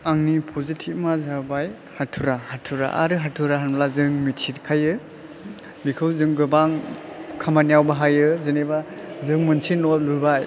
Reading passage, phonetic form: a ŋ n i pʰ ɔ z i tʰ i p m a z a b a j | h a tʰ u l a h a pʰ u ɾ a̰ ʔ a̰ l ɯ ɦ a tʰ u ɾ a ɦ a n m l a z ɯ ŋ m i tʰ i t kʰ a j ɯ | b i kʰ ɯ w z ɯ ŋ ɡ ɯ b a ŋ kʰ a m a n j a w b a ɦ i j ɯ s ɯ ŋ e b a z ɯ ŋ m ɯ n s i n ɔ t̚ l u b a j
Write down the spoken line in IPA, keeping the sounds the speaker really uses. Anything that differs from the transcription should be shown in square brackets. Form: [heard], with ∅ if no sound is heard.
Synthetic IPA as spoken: a ŋ n i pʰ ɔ z i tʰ i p m a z a b a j | h a tʰ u [ɾ] a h a [tʰ] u ɾ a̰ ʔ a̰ [ɾ] ɯ ɦ a tʰ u ɾ a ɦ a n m l a z ɯ ŋ m i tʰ i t kʰ a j ɯ | b i kʰ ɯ w z ɯ ŋ ɡ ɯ b a ŋ kʰ a m a n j a w b a ɦ [a] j ɯ [z] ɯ [n] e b a z ɯ ŋ m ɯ n s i n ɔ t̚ l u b a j